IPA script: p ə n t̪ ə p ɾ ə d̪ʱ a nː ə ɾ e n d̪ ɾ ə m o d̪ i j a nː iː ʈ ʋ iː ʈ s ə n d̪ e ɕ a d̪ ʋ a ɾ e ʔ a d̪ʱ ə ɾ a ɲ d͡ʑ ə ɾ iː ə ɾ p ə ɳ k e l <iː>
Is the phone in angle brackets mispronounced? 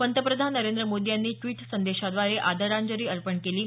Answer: no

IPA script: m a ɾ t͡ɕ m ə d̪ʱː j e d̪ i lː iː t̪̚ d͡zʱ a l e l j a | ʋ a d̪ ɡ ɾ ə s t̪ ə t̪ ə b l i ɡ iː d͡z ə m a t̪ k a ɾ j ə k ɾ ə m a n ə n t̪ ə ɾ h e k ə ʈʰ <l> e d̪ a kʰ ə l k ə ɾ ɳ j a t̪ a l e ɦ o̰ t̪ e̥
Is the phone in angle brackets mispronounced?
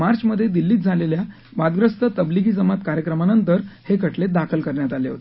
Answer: no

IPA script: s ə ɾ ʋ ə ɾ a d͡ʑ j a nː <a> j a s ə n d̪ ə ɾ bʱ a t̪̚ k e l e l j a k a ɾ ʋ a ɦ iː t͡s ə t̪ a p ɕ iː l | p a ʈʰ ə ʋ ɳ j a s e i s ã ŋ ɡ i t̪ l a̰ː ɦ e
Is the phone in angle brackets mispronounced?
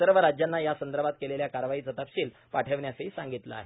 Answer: no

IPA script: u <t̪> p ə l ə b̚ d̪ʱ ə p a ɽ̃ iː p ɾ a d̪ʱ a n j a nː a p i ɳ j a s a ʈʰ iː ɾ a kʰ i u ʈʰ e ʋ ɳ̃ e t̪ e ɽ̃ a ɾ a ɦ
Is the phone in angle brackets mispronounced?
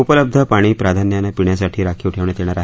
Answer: yes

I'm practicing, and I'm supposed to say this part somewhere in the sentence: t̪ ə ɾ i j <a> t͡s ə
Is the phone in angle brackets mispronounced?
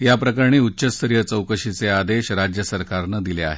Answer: yes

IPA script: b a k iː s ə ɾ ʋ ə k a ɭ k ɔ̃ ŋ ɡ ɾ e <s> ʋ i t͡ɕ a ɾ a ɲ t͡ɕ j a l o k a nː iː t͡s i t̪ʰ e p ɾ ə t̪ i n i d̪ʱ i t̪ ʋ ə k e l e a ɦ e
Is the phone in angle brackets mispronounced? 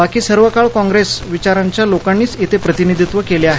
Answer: no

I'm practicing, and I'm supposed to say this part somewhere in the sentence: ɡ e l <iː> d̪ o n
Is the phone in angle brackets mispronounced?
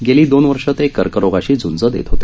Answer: no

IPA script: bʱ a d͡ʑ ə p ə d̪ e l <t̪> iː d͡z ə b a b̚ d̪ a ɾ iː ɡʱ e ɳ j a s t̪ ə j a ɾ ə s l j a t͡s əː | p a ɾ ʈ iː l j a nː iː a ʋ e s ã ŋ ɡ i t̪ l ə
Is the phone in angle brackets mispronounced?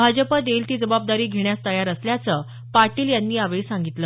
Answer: no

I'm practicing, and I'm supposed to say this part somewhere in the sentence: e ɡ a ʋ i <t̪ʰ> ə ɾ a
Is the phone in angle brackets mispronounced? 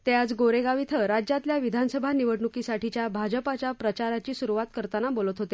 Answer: no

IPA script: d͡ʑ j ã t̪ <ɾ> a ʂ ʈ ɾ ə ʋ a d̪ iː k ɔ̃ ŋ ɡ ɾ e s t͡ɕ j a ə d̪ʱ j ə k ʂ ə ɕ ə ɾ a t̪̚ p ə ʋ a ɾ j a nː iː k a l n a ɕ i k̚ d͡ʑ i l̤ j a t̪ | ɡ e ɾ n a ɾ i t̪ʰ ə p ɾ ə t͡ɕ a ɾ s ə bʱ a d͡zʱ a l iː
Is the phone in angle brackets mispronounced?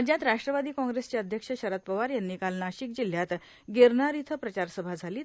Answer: no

